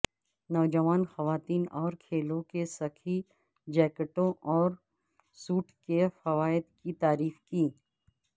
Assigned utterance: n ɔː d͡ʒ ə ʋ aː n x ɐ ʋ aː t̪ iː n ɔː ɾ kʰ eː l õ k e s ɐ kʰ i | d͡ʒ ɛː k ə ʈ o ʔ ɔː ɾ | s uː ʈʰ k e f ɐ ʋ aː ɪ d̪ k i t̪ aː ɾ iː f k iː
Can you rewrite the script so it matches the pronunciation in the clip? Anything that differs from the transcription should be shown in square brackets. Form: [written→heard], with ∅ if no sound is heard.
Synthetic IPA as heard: n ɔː d͡ʒ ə ʋ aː n x ɐ ʋ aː t̪ iː n ɔː ɾ kʰ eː l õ k e s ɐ kʰ i | d͡ʒ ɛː k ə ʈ [o→õ] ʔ ɔː ɾ | s uː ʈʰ k e f ɐ ʋ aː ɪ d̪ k i t̪ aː ɾ iː f k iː